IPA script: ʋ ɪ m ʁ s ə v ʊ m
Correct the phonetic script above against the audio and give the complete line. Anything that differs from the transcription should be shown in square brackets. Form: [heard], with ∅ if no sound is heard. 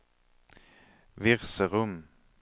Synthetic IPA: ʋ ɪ [∅] ʁ s ə [ʁ] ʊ m